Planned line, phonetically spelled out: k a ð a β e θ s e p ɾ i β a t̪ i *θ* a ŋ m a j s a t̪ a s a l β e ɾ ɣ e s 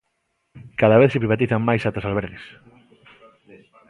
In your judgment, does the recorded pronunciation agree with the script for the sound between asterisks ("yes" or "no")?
yes